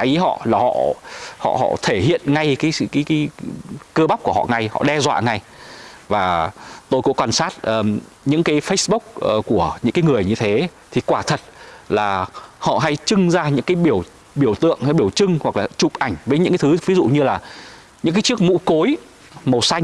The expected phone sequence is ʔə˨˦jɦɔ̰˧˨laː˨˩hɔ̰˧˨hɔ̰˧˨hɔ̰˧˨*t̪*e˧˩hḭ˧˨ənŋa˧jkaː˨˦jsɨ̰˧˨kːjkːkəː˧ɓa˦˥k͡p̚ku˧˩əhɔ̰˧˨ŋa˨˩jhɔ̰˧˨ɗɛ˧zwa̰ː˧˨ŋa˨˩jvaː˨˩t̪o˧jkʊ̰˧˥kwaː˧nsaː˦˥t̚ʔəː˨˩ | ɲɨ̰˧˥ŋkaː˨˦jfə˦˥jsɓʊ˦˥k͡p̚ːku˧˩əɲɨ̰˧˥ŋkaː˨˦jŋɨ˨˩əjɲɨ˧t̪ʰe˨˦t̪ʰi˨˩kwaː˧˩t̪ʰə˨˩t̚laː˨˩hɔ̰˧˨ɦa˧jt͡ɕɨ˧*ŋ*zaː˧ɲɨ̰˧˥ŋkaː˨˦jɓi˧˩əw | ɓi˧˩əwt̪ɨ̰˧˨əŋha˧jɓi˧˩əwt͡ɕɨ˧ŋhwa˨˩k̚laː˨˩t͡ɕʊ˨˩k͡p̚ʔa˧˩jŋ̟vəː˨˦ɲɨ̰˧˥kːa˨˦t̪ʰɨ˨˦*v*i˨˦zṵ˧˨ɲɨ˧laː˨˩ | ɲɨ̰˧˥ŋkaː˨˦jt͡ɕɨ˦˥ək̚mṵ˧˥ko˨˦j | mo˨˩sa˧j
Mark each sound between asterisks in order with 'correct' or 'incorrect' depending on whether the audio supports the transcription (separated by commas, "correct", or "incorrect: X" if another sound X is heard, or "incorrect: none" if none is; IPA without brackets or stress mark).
incorrect: t̪ʰ, correct, correct